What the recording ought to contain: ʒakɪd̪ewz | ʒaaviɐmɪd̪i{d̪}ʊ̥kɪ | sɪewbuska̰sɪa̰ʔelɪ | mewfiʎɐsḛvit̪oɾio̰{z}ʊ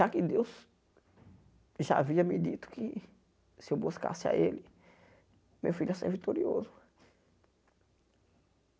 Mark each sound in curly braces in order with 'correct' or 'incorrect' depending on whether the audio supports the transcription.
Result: incorrect: t̪, correct

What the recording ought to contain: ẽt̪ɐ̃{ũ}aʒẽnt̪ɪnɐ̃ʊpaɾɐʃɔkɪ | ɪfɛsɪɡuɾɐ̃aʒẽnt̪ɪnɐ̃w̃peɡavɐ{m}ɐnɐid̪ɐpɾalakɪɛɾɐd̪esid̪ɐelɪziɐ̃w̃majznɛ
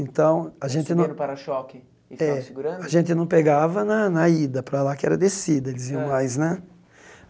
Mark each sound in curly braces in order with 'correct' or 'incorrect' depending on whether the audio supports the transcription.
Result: incorrect: w̃, incorrect: n

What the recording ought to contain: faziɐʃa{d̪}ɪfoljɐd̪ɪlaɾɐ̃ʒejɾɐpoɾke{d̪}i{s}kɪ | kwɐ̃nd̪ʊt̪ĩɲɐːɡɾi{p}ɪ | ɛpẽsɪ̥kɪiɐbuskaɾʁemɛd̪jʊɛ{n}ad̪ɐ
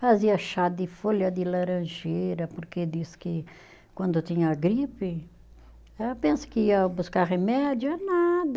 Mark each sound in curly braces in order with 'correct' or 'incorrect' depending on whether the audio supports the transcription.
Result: correct, correct, correct, correct, correct

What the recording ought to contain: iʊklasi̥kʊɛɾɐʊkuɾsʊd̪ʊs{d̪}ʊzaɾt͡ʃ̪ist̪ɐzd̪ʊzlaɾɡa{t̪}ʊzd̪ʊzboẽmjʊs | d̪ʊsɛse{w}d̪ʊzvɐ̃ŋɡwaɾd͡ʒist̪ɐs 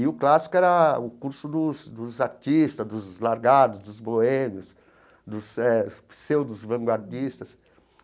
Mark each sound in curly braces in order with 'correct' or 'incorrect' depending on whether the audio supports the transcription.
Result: correct, incorrect: d̪, correct

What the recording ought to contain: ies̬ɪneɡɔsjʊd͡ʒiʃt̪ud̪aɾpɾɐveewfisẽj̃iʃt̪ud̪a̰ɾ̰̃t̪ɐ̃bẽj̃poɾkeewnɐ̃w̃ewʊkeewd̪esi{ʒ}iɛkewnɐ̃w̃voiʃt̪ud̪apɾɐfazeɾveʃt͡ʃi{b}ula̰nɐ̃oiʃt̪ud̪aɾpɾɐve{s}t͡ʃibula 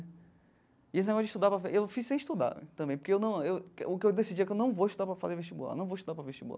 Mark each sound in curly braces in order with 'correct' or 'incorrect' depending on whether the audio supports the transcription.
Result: incorrect: d͡ʒ, correct, incorrect: ʃ

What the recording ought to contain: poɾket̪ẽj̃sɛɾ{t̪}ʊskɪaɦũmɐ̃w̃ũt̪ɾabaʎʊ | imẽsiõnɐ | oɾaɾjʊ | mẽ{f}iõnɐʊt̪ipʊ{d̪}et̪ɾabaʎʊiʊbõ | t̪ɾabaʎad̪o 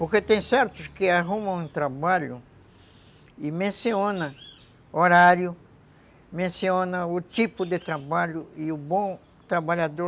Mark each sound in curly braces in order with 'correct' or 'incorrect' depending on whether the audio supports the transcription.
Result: correct, incorrect: s, correct

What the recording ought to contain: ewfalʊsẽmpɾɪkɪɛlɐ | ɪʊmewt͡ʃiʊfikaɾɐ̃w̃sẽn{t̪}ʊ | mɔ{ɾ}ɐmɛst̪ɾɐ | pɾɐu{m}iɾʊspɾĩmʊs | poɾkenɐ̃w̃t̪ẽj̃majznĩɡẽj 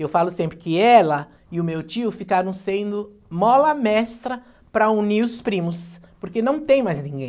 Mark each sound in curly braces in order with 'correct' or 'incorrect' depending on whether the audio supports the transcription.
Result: incorrect: d̪, incorrect: l, incorrect: n

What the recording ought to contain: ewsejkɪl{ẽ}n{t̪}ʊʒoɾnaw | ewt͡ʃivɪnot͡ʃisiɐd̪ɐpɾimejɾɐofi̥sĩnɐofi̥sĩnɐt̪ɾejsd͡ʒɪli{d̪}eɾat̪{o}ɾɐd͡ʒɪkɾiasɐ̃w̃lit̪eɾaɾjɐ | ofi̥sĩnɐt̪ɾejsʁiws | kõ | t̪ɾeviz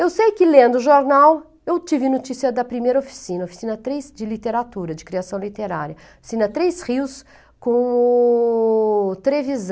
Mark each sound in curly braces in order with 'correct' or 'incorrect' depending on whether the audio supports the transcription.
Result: correct, incorrect: d̪, incorrect: t̪, incorrect: u

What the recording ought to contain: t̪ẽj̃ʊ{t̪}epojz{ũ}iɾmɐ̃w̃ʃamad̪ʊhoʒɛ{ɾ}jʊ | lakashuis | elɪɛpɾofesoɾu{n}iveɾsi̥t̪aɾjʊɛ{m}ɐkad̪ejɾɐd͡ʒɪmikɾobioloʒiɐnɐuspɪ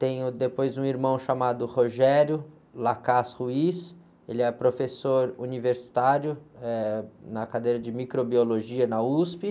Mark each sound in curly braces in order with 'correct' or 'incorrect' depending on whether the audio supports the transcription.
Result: incorrect: d̪, correct, correct, correct, incorrect: n

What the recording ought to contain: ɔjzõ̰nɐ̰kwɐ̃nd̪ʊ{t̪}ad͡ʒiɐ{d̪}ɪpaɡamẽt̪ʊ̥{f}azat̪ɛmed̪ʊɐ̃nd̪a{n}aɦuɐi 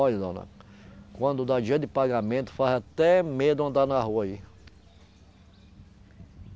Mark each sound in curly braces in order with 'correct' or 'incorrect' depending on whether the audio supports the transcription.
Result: incorrect: d̪, correct, correct, correct

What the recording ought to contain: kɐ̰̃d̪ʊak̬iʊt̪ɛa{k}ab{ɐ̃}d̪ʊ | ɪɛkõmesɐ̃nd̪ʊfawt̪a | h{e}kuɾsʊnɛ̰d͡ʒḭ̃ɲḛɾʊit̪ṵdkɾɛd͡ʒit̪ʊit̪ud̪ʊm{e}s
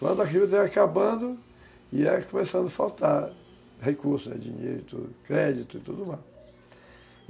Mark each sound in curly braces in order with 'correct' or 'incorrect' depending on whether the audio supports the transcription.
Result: correct, correct, correct, incorrect: a

